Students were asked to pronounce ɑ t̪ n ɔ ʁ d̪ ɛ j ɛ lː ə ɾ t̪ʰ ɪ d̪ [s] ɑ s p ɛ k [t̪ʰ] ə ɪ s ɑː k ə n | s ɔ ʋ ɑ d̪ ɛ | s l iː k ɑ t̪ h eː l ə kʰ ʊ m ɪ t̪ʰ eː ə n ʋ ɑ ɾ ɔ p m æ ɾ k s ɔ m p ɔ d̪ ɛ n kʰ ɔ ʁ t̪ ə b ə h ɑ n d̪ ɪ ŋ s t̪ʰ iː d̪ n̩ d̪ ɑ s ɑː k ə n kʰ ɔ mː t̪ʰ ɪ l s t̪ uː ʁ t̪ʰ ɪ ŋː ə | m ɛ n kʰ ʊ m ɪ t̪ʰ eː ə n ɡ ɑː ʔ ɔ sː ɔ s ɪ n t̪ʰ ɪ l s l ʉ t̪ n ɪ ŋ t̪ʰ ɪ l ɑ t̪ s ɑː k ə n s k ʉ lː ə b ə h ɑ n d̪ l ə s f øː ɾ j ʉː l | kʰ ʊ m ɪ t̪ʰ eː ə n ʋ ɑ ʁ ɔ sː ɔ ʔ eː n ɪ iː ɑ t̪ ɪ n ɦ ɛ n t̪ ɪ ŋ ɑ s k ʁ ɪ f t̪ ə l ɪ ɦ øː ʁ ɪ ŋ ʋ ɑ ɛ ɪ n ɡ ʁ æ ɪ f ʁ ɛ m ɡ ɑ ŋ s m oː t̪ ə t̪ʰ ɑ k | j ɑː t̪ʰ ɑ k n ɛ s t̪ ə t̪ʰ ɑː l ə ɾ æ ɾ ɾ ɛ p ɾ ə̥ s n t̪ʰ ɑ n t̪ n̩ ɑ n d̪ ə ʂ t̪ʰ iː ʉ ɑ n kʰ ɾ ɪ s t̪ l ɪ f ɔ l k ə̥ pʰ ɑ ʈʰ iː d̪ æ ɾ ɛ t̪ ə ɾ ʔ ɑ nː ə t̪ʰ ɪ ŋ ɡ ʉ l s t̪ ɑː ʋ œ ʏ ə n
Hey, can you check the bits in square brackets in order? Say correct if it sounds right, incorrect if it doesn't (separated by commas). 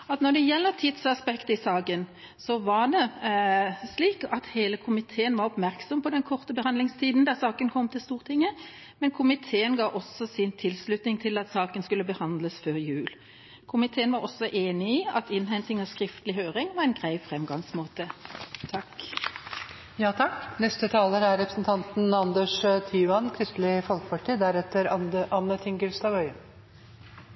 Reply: correct, incorrect